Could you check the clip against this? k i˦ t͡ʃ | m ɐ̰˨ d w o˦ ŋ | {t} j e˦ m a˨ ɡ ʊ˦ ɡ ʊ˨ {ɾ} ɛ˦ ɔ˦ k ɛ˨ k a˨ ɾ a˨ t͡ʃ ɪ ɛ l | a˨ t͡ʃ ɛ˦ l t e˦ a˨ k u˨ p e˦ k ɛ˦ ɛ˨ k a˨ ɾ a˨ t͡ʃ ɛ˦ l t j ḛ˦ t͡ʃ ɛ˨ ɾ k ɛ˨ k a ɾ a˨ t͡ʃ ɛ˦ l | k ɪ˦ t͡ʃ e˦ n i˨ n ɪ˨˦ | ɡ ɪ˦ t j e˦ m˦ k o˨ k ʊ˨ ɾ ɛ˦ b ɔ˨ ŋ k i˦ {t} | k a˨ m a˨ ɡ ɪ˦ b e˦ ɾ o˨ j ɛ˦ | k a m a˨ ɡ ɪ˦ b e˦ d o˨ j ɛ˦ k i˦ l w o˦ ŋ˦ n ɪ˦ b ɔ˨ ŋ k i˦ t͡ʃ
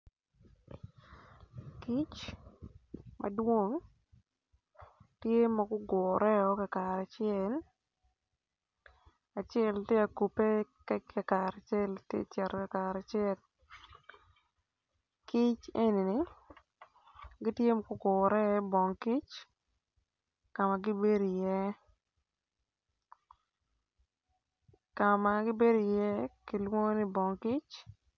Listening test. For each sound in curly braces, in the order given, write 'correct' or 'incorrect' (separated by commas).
correct, correct, incorrect